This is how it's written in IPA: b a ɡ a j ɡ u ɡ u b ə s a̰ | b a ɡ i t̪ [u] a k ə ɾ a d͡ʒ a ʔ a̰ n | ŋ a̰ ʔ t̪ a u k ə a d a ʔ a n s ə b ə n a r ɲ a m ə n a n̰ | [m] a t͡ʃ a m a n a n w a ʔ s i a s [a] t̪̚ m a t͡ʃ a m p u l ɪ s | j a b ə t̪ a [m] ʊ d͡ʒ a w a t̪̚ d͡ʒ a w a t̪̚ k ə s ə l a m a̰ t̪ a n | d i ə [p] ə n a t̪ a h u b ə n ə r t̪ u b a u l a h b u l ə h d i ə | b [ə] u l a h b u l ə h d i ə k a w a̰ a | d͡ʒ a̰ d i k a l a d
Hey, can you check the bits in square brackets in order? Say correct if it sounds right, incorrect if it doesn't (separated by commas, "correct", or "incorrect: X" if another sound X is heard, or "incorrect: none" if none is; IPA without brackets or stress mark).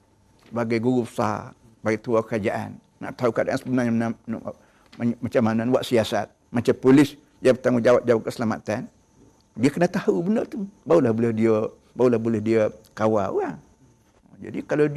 correct, correct, correct, incorrect: ŋ, incorrect: k, incorrect: a